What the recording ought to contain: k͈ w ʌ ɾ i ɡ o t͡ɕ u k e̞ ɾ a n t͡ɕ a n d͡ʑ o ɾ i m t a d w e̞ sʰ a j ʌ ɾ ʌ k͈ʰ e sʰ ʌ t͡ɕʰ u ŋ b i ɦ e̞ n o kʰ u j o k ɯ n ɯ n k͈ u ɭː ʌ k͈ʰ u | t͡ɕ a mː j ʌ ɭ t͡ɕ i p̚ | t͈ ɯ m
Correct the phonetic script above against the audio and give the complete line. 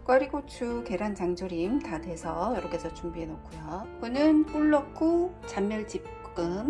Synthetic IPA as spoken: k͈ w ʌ ɾ i ɡ o t͡ɕʰ u k e̞ ɾ a n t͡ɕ a ŋ d͡ʑ o ɾ i m t a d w e̞ sʰ ʌ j ʌ ɾ ʌ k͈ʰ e sʰ ʌ t͡ɕ u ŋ b i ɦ e̞ n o kʰ u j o k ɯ n ɯ n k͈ u ɭː ʌ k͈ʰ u | t͡ɕ a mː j ʌ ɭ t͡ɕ i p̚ | k͈ ɯ m